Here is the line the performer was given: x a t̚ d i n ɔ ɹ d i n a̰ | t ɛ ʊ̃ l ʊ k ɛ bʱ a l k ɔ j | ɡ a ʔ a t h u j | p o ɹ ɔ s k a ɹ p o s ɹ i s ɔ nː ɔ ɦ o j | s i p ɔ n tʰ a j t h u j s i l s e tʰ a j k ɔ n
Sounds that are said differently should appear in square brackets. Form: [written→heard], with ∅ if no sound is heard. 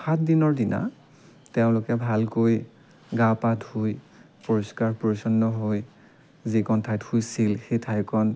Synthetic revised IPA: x a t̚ d i n ɔ ɹ d i n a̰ | t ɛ ʊ̃ l ʊ k ɛ bʱ a l k [ɔ→o] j | ɡ a [ʔ→p] a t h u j | p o ɹ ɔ s k a ɹ p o [s→∅] ɹ i s ɔ nː ɔ ɦ o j | [s→z] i [p→k] ɔ n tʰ a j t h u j s i l [s→x] e tʰ a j k ɔ n